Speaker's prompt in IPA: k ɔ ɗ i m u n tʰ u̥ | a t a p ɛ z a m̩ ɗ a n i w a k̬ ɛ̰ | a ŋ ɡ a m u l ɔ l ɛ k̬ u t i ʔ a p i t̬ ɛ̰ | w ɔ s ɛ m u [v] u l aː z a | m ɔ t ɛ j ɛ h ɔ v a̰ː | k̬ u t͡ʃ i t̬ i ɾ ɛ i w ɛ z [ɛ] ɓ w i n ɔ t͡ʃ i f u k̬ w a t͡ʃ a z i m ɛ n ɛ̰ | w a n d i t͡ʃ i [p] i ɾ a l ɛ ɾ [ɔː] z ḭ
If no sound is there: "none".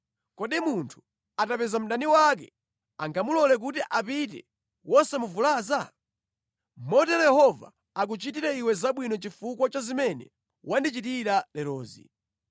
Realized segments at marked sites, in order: v, a, t, ɔː

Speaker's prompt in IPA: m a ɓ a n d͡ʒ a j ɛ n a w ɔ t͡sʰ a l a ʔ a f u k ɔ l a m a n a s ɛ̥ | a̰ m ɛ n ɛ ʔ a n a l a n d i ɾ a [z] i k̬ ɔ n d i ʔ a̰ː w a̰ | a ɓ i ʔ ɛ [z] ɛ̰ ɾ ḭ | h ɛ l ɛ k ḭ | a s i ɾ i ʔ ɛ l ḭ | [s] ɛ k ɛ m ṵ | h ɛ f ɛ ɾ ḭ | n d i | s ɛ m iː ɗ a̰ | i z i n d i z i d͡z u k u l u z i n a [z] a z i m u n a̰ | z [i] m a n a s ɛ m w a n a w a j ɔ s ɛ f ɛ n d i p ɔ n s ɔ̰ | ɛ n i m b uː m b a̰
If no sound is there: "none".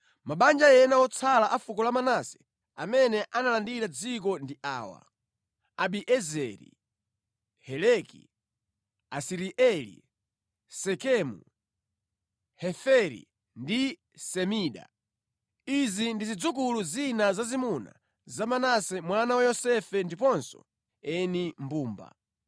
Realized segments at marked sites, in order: d͡z, z, s, z, a

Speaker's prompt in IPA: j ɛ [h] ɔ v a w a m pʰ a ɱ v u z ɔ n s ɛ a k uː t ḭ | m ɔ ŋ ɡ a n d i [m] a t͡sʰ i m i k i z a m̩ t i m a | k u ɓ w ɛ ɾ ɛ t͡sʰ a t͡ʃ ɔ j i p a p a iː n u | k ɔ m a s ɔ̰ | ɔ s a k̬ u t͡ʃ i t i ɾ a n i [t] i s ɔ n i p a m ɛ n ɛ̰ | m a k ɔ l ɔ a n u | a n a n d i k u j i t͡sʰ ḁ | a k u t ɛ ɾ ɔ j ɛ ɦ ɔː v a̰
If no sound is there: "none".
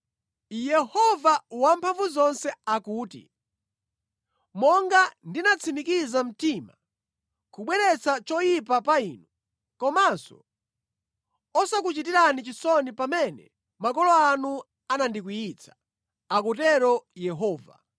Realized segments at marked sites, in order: h, n, t͡ʃ

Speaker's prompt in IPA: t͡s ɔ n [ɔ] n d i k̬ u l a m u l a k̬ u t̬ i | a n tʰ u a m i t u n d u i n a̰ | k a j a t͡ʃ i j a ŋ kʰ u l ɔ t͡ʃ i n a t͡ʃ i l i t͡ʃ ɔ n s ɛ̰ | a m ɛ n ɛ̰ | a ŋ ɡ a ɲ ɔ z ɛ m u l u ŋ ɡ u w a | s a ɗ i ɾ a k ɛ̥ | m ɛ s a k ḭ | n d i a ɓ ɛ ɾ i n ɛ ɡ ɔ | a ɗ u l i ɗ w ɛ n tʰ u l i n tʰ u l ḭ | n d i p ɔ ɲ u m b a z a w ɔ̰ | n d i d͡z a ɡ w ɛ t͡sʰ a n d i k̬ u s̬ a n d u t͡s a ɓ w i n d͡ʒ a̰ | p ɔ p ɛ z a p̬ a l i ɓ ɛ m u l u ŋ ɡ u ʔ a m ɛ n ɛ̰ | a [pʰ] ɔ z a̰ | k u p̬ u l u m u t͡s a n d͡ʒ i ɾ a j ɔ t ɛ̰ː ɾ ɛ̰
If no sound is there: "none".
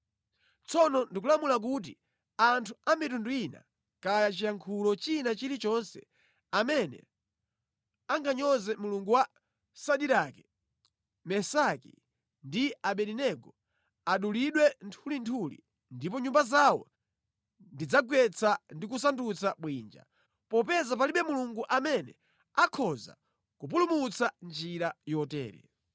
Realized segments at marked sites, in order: ɔ, kʰ

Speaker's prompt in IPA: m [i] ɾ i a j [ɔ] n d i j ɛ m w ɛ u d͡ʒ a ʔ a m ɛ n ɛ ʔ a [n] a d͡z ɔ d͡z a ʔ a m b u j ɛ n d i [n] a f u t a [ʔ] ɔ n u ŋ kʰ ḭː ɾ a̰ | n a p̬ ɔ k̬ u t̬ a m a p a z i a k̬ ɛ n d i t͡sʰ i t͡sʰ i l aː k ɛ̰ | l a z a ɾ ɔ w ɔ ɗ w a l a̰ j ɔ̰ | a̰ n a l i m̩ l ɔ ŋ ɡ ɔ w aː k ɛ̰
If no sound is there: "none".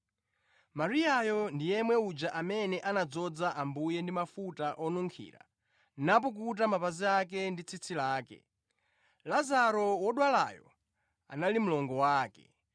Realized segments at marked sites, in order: a, ɔ, n, m, ʔ

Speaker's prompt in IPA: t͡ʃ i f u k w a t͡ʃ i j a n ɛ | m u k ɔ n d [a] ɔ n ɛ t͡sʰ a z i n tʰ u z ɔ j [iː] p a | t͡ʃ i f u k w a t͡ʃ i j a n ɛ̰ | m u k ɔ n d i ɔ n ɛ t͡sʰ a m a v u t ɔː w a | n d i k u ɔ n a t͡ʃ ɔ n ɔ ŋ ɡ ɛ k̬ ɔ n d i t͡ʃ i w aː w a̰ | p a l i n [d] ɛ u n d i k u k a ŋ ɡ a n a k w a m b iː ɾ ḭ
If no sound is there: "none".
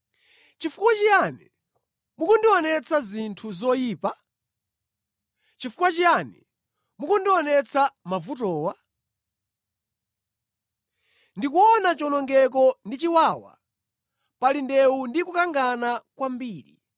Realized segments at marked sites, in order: i, iː, d

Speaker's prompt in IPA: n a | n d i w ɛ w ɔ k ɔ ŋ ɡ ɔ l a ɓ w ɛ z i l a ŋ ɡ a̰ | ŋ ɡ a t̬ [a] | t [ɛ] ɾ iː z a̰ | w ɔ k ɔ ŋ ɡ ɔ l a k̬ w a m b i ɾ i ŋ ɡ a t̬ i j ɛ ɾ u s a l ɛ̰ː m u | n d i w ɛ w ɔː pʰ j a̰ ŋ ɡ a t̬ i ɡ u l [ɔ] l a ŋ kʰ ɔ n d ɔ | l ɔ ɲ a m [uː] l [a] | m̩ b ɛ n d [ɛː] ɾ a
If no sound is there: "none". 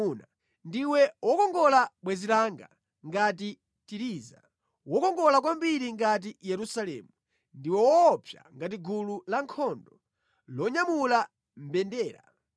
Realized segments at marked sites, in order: i, i, u, u, a, ɛː

